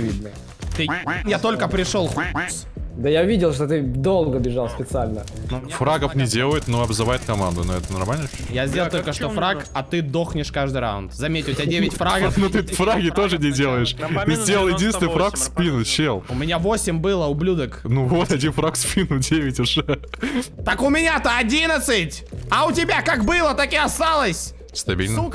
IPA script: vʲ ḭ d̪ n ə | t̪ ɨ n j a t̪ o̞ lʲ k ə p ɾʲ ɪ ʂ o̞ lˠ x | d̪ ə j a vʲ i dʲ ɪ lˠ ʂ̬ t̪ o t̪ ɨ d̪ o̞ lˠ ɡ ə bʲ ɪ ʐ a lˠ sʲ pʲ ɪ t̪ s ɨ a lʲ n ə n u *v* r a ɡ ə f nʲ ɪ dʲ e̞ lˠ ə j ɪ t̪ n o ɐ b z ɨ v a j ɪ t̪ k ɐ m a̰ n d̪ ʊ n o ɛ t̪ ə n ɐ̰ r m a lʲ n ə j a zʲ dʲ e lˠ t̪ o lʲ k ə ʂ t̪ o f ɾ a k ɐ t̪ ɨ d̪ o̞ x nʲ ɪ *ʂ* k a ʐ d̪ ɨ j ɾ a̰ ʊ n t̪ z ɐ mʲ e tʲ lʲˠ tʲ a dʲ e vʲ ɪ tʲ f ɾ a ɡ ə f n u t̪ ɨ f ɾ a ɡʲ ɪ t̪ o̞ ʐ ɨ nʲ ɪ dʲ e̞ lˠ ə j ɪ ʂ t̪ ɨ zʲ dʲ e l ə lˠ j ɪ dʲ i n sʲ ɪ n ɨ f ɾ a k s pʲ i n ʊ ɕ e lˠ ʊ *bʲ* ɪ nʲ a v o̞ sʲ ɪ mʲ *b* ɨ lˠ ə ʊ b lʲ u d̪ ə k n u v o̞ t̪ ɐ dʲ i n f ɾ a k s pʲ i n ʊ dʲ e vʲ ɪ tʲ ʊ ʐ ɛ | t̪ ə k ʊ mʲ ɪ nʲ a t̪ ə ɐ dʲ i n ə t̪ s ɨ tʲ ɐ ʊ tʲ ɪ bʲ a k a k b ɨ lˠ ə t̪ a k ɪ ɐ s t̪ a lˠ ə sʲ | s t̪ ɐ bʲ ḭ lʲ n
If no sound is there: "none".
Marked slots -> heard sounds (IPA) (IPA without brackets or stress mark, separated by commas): f, ʂ, mʲ, b